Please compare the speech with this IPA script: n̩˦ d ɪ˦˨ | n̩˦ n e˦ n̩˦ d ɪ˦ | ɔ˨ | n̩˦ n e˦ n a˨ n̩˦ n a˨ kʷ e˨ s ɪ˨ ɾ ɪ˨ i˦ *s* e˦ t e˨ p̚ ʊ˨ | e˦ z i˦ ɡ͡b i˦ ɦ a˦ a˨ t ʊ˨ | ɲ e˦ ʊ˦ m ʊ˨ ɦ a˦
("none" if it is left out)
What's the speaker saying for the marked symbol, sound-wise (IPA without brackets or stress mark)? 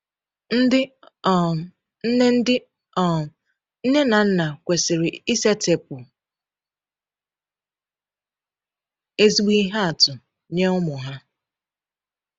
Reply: s